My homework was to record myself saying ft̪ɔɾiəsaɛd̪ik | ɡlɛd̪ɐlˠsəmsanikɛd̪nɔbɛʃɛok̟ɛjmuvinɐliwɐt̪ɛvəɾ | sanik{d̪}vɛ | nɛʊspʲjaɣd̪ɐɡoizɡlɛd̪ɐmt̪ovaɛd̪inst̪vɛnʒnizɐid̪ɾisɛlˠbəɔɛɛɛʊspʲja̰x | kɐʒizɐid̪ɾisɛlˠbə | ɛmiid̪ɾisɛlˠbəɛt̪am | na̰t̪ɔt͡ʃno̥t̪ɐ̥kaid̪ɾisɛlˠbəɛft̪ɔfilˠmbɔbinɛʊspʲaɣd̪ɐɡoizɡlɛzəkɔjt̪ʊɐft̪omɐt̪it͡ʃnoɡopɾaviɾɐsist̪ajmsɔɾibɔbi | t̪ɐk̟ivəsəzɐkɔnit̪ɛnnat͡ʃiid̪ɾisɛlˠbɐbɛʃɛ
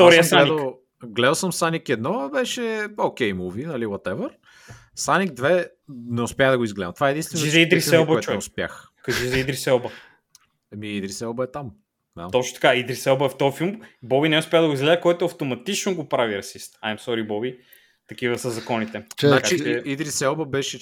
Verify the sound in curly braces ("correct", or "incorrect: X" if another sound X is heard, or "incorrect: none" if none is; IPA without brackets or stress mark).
correct